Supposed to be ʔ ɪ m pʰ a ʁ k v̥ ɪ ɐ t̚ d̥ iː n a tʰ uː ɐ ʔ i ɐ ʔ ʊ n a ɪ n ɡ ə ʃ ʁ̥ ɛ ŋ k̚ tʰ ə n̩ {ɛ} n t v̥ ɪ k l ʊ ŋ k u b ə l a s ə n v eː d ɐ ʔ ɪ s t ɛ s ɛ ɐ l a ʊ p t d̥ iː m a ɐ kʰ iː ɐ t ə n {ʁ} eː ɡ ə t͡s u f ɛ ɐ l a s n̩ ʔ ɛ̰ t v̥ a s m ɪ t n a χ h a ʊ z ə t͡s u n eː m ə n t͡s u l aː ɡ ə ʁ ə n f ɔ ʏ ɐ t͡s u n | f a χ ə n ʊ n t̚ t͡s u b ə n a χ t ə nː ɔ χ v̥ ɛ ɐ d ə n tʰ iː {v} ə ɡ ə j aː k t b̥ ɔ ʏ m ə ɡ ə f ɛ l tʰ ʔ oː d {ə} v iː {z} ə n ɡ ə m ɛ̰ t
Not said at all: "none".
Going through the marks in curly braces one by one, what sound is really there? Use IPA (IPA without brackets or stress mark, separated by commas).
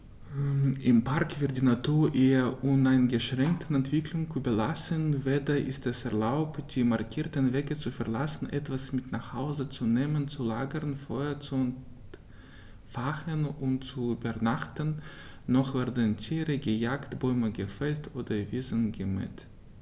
ɛ, v, ʁ, ɐ, z